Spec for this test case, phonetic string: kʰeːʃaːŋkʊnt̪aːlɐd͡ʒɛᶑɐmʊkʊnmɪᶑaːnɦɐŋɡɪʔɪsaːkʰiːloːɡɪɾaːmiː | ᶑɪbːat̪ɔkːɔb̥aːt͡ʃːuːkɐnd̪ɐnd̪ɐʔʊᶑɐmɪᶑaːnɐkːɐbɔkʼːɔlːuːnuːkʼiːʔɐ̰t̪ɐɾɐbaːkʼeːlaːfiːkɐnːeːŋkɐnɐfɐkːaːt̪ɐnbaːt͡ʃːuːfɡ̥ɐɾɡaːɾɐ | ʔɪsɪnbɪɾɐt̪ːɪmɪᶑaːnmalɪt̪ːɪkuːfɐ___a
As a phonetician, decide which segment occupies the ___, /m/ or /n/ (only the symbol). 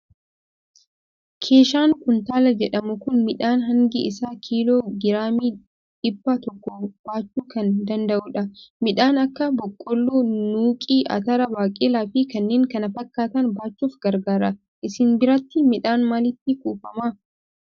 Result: m